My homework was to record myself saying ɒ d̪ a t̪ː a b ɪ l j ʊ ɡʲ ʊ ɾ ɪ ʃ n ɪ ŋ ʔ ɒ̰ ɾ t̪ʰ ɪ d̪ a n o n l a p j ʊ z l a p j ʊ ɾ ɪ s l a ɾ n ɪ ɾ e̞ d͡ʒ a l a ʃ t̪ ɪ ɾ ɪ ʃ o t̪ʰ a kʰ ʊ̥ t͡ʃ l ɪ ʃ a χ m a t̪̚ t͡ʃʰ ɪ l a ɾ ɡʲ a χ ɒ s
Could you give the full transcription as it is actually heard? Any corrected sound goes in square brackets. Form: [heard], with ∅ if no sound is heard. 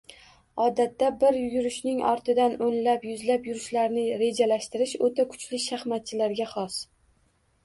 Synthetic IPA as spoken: ɒ d̪ a t̪ː a b ɪ [ɾ] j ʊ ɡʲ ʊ ɾ ɪ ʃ n ɪ ŋ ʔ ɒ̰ ɾ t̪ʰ ɪ d̪ a n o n l a p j ʊ z l a p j ʊ ɾ ɪ [ʃ] l a ɾ n ɪ ɾ e̞ d͡ʒ a l a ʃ t̪ ɪ ɾ ɪ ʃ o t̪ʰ a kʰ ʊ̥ t͡ʃ l ɪ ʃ a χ m a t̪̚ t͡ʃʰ ɪ l a ɾ ɡʲ a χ ɒ s

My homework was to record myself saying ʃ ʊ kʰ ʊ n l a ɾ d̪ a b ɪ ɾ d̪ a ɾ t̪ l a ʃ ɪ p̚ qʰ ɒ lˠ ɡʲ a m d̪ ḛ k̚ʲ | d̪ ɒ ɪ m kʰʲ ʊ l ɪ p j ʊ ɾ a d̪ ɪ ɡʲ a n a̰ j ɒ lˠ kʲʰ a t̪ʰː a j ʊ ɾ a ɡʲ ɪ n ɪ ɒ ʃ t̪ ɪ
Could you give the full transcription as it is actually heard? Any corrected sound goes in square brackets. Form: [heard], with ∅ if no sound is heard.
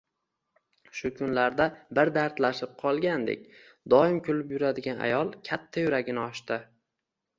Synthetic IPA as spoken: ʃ ʊ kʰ ʊ n l a ɾ d̪ a b ɪ ɾ d̪ a ɾ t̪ l a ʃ ɪ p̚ qʰ ɒ lˠ ɡʲ a [n] d̪ ḛ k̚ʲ | d̪ ɒ ɪ m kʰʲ ʊ l ɪ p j ʊ ɾ a d̪ ɪ ɡʲ a n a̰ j ɒ lˠ kʲʰ a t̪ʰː a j ʊ ɾ a ɡʲ ɪ n ɪ ɒ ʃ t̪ ɪ

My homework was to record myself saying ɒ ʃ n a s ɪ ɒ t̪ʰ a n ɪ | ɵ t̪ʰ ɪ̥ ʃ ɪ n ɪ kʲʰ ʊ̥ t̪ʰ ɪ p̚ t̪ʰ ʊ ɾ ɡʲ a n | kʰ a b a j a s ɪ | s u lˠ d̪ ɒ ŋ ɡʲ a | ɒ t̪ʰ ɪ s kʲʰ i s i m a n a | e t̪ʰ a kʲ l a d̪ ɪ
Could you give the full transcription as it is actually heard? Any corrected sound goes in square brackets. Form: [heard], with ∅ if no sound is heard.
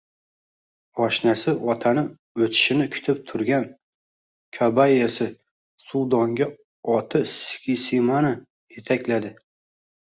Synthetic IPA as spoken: ɒ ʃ n a s ɪ ɒ t̪ʰ a n ɪ | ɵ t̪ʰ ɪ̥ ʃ ɪ n ɪ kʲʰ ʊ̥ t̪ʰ ɪ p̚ t̪ʰ ʊ ɾ ɡʲ a n | kʰ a b a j a s ɪ | s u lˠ d̪ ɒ ŋ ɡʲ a | ɒ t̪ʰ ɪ s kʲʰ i s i m a n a | e t̪ʰ a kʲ l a d̪ ɪ

